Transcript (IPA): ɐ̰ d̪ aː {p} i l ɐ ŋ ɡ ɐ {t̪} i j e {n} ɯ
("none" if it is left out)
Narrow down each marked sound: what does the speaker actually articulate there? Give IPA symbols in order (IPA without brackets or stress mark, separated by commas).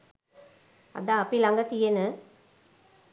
p, t̪, n